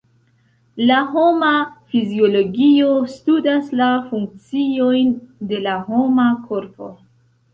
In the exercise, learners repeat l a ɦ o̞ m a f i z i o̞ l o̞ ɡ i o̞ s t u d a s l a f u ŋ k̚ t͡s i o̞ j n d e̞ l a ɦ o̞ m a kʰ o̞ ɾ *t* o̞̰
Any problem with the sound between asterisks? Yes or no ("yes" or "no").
yes